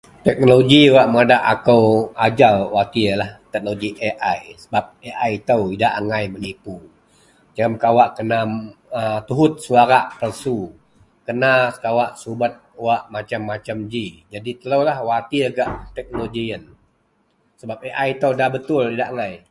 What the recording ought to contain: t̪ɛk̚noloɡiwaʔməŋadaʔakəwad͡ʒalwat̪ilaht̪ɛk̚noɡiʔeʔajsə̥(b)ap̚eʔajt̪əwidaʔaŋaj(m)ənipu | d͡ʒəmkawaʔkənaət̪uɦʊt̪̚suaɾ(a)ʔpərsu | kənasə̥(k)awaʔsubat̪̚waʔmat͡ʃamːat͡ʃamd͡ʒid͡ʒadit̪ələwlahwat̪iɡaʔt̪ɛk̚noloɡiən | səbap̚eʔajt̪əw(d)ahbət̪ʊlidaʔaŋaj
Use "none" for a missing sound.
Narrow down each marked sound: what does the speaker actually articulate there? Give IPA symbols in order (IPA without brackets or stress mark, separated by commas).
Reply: b, m, a, k, d